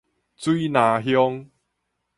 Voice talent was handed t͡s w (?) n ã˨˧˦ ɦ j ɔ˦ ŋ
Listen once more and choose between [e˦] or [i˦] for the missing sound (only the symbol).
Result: i˦